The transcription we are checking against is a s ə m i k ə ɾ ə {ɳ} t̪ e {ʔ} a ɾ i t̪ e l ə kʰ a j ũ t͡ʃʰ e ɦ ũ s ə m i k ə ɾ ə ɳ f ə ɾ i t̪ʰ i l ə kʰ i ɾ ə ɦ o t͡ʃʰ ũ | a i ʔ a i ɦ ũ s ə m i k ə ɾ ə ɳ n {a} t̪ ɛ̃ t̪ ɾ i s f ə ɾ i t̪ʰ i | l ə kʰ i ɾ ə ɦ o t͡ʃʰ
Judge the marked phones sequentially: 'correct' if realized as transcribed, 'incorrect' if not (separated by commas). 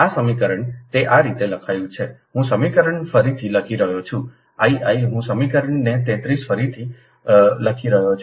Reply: correct, correct, incorrect